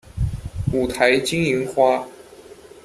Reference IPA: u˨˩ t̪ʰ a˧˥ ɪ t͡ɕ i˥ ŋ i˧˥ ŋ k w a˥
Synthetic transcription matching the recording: u˨˩ t̪ʰ a˧˥ ɪ t͡ɕ i˥ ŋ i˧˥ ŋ x w a˥